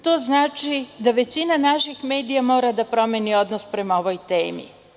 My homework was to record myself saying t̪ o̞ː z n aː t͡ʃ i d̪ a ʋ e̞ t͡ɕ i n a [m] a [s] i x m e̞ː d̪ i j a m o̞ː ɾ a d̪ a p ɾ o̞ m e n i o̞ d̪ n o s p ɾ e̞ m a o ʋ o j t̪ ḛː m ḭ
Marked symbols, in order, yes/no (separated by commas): no, no